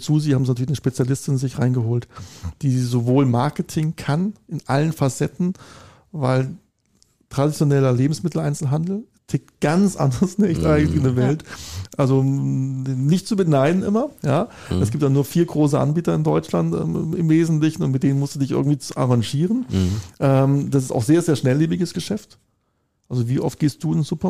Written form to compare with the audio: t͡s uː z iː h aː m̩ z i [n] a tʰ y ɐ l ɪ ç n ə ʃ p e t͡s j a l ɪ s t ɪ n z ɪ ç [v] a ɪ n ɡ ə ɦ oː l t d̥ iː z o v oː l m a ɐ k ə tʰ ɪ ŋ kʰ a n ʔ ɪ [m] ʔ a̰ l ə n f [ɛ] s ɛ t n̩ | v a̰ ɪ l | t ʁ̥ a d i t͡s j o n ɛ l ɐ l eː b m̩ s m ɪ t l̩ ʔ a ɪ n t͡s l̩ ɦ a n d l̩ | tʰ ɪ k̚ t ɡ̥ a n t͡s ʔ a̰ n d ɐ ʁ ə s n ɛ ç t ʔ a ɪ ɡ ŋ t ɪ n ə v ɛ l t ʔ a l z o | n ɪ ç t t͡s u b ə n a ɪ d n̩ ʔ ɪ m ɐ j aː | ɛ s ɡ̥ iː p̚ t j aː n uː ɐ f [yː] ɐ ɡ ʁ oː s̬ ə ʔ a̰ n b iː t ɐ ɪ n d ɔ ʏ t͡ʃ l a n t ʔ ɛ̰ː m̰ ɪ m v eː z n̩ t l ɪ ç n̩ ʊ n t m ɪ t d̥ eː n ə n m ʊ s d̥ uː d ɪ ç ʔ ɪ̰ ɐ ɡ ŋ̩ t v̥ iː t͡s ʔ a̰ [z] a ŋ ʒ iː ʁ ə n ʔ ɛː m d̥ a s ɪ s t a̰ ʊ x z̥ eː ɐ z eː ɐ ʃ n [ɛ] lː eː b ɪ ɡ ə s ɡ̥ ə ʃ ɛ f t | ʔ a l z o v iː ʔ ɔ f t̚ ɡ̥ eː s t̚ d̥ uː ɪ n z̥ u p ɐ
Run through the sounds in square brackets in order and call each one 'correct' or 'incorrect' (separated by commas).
correct, incorrect, incorrect, incorrect, incorrect, incorrect, correct